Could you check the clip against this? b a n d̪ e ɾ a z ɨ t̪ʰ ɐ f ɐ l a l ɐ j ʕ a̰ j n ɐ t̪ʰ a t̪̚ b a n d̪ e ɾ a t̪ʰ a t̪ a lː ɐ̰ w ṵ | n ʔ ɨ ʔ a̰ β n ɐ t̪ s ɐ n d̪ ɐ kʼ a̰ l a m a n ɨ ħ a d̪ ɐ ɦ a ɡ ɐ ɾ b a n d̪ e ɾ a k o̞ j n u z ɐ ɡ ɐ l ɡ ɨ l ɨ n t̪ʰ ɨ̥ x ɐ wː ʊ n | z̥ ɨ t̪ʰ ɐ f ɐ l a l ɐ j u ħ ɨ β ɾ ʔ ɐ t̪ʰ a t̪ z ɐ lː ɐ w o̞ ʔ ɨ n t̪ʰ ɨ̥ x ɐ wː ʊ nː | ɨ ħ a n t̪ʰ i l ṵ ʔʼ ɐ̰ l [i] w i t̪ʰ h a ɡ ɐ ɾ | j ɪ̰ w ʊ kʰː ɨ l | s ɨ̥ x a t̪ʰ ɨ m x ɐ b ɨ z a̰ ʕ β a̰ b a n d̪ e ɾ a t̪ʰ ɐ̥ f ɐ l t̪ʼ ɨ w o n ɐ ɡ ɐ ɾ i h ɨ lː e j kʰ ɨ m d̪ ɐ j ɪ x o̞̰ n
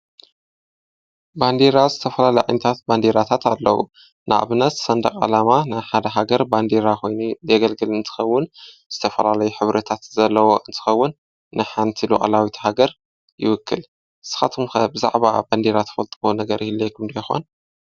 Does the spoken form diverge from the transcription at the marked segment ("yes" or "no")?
yes